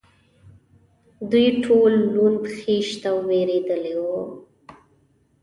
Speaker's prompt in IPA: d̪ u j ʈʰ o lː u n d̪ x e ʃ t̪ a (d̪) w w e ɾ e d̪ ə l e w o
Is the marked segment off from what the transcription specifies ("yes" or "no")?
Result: yes